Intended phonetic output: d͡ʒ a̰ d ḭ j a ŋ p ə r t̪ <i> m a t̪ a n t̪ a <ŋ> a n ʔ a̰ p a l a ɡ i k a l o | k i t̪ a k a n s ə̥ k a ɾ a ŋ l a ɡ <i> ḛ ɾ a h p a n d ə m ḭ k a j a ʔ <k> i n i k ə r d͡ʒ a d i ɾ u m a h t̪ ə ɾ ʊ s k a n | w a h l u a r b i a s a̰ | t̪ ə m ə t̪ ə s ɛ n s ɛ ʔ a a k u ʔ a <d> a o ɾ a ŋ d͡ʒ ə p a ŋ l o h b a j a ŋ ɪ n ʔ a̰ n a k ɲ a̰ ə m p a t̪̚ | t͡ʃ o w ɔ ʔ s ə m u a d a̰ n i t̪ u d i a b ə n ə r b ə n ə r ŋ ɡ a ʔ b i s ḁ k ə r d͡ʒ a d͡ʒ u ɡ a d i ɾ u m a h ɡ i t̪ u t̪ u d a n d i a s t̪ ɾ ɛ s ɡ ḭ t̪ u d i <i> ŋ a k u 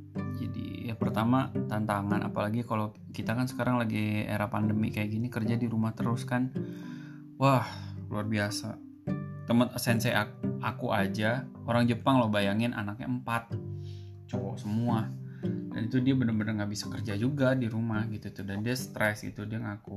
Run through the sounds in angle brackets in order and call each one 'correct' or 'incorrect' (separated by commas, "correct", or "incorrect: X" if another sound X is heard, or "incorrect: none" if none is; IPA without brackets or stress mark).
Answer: incorrect: a, correct, correct, incorrect: ɡ, incorrect: d͡ʒ, incorrect: a